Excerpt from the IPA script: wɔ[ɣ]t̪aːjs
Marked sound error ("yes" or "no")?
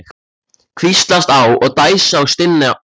no